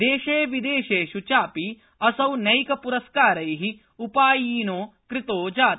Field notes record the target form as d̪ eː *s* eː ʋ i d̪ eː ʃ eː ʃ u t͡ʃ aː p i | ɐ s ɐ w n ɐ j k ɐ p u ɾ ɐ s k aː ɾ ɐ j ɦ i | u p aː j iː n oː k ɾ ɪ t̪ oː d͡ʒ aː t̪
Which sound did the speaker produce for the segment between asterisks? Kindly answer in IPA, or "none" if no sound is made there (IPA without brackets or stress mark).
ʃ